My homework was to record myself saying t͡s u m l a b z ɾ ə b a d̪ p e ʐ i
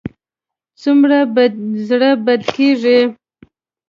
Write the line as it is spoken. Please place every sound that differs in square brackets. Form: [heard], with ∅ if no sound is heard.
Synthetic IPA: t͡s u m [ɾ] a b z [ɽ] ə b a d̪ [k] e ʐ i